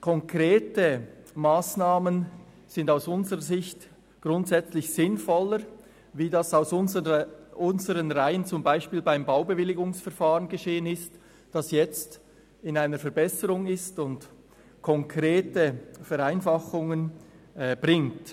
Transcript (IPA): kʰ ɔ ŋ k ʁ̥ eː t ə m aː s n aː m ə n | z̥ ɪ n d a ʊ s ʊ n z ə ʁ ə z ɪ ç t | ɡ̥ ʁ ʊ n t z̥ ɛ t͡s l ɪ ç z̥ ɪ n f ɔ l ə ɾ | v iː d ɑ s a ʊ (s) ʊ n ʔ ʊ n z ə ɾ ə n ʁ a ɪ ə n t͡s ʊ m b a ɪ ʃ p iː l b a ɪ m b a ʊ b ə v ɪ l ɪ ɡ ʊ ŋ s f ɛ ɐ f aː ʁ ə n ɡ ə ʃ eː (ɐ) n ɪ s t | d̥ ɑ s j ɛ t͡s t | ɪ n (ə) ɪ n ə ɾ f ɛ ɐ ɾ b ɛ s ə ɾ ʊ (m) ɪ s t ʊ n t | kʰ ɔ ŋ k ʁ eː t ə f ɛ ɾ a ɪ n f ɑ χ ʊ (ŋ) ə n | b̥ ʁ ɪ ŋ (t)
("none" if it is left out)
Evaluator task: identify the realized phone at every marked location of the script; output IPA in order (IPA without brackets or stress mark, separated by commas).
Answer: s, ə, a, ŋ, ŋ, t